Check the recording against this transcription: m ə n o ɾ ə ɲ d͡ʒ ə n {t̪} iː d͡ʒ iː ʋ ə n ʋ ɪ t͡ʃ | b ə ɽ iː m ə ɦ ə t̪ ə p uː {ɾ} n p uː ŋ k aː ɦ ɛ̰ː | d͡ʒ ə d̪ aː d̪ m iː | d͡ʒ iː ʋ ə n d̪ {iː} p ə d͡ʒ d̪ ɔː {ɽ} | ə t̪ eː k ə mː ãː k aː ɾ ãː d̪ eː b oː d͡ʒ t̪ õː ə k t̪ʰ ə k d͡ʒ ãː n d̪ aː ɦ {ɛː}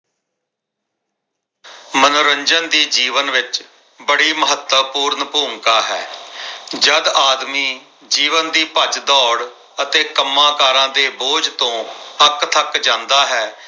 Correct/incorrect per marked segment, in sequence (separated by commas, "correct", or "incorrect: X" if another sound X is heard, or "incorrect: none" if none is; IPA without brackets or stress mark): incorrect: d̪, correct, correct, correct, correct